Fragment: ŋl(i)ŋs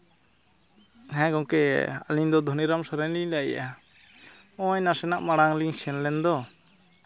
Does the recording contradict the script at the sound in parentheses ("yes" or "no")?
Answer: no